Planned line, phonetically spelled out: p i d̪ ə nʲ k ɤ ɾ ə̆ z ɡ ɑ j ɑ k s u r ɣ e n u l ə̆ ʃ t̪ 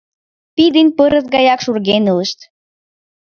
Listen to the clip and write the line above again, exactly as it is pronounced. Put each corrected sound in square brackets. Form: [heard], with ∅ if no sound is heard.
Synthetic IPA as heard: p i d̪ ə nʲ [p] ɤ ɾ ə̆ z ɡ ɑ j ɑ k [ʃ] u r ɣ e n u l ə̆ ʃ t̪